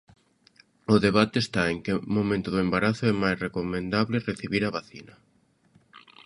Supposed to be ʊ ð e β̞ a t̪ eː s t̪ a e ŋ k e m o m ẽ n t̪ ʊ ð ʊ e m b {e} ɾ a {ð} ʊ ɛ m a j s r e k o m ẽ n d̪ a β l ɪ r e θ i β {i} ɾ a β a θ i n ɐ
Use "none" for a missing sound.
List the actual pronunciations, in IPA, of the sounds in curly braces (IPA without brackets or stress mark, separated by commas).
a, θ, i